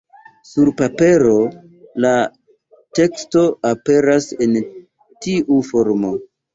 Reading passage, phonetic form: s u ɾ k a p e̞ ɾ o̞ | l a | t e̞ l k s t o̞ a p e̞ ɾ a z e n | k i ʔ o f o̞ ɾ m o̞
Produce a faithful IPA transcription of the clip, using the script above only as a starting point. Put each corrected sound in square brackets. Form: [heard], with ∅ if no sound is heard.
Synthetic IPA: s u ɾ [p] a p e̞ ɾ o̞ | l a | t e̞ [∅] k s t o̞ a p e̞ ɾ a [s] e n | [t] i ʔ [u] f o̞ ɾ m o̞